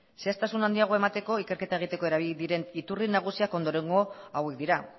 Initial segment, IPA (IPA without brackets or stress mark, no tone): s